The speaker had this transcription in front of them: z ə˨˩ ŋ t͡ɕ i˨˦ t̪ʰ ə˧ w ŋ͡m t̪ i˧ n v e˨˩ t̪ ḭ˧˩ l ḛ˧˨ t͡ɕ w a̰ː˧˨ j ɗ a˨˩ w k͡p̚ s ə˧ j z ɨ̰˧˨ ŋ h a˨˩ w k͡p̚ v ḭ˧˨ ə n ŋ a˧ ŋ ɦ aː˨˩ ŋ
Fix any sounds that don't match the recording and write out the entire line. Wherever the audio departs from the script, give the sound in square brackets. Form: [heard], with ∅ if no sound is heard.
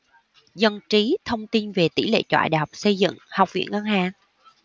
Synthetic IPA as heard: z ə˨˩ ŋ t͡ɕ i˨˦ t̪ʰ ə˧ w ŋ͡m t̪ i˧ n v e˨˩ t̪ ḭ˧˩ l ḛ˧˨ t͡ɕ w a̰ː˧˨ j ɗ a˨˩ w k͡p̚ s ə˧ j z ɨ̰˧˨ ŋ h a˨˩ w k͡p̚ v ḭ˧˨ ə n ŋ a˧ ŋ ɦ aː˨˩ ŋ